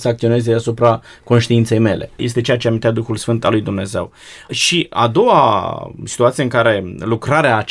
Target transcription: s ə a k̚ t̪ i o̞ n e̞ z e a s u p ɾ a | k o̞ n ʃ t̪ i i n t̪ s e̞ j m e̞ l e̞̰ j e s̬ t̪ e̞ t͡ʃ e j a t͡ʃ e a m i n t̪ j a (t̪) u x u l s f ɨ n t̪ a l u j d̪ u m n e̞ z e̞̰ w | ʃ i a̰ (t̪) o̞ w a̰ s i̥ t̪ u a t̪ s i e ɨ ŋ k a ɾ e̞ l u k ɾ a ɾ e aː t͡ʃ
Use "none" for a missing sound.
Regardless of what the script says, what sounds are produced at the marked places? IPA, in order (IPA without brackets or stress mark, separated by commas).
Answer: d̪, d̪